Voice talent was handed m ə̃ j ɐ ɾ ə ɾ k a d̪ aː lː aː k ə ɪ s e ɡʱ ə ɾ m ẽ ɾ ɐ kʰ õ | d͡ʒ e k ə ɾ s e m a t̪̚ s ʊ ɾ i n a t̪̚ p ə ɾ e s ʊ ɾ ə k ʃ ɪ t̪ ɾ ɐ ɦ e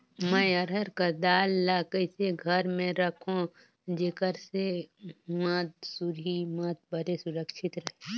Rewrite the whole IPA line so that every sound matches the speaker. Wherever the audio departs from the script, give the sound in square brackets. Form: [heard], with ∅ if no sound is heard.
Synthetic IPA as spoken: m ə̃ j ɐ ɾ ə ɾ k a d̪ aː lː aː k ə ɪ s e ɡʱ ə ɾ m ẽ ɾ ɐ kʰ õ | d͡ʒ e k ə ɾ s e m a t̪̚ s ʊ ɾ i [m] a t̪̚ [b] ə ɾ e s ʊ ɾ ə k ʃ ɪ t̪ ɾ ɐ ɦ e